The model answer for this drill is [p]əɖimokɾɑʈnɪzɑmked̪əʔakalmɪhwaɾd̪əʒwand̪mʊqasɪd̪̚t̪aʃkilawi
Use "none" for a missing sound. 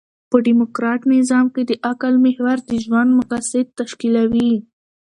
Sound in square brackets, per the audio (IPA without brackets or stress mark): p